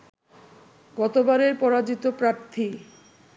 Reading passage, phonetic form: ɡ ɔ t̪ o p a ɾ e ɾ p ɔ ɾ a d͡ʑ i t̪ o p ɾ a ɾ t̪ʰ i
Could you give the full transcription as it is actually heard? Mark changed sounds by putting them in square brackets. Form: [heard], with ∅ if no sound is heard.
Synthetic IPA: ɡ ɔ t̪ o [b] a ɾ e ɾ p ɔ ɾ a d͡ʑ i t̪ o p ɾ a ɾ t̪ʰ i